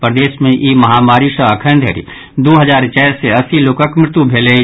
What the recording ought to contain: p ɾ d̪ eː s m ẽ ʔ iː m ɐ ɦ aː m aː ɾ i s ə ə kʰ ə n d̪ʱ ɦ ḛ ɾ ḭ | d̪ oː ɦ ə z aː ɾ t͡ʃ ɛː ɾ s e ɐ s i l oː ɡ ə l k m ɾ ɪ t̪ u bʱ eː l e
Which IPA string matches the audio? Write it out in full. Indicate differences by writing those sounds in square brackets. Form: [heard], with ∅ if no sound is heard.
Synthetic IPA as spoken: p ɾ d̪ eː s m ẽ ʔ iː m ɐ ɦ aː m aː ɾ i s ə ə kʰ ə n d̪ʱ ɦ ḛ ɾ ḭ | d̪ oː ɦ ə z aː ɾ t͡ʃ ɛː ɾ s e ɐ s i l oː [k] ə [∅] k m ɾ ɪ t̪ u bʱ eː l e